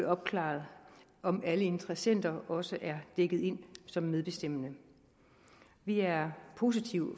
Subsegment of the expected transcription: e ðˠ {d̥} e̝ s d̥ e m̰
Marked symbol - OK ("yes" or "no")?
no